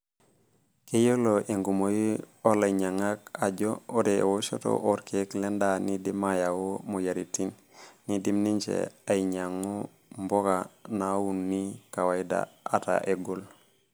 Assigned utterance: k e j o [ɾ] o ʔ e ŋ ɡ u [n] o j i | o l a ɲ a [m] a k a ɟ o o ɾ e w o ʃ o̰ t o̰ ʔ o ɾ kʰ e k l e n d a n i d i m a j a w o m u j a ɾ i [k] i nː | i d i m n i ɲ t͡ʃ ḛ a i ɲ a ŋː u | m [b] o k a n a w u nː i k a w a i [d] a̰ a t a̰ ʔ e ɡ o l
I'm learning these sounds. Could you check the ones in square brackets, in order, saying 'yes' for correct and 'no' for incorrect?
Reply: no, no, no, no, yes, yes

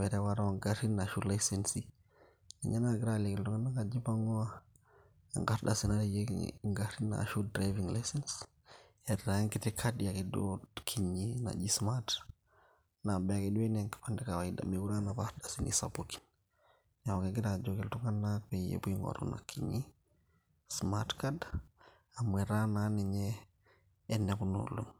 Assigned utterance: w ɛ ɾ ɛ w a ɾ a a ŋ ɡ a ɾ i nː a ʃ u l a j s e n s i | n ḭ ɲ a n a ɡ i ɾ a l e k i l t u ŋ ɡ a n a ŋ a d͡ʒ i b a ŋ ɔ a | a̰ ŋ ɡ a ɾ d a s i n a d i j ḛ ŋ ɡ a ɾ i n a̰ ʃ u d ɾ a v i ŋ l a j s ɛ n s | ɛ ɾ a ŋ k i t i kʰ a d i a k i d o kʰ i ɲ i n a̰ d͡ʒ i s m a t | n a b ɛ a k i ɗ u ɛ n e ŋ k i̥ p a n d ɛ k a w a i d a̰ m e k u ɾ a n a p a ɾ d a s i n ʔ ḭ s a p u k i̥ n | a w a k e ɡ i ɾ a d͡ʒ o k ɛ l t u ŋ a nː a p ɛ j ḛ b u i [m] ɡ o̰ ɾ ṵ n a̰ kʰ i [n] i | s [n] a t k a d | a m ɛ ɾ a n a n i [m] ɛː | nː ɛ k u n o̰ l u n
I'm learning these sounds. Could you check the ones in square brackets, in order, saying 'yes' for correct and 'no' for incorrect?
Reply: no, no, no, no

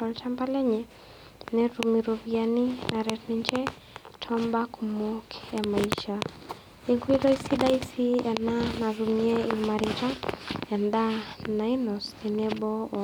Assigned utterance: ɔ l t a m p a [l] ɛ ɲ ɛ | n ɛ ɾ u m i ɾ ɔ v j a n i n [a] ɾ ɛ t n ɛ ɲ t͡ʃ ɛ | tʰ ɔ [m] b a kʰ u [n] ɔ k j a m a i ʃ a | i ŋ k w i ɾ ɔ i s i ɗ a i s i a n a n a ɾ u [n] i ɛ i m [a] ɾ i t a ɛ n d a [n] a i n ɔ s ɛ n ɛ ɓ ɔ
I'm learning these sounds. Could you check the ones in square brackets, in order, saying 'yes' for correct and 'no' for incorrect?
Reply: yes, yes, yes, no, no, yes, yes

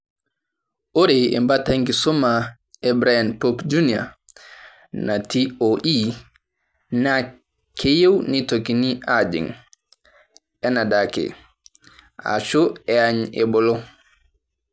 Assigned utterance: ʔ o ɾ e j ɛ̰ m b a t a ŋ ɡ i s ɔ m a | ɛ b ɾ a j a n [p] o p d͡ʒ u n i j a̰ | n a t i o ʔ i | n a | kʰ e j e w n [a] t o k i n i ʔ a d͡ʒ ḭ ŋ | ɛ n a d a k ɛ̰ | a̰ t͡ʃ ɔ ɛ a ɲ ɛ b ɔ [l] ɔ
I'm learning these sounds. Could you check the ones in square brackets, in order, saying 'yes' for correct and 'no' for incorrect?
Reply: yes, no, yes

